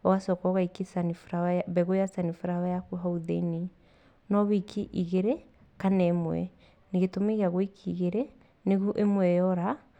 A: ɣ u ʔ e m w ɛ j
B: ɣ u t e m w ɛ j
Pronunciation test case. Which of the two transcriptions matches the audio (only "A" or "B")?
A